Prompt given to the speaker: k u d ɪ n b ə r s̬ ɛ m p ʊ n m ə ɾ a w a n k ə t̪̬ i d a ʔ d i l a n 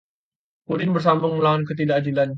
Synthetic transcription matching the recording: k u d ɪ n b ə r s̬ a m b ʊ ŋ m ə l a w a n k ə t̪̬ i d a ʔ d i l a n